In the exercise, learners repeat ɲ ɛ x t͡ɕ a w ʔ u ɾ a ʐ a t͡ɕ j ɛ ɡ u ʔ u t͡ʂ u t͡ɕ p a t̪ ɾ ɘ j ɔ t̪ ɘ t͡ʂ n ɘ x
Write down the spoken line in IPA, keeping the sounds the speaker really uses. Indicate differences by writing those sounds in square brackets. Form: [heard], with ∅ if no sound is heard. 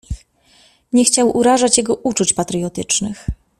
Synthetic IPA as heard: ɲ ɛ x t͡ɕ a w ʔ u ɾ a ʐ a t͡ɕ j ɛ ɡ [ɔ] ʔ u t͡ʂ u t͡ɕ p a t̪ ɾ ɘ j ɔ t̪ ɘ t͡ʂ n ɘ x